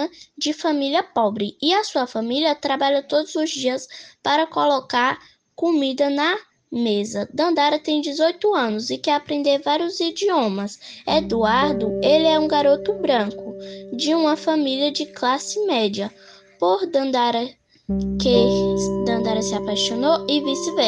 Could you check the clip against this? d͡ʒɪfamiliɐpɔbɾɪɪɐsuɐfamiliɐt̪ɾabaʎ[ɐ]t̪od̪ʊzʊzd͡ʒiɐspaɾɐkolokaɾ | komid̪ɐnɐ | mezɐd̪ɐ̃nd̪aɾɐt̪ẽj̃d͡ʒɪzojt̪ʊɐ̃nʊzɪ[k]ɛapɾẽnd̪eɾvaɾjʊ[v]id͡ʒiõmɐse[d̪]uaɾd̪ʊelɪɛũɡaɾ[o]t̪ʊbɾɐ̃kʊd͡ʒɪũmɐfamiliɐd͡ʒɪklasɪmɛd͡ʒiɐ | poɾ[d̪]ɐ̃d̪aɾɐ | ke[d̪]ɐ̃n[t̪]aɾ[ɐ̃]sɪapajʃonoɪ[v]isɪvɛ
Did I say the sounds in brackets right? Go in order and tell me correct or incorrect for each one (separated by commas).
correct, correct, incorrect, correct, correct, correct, correct, incorrect, incorrect, correct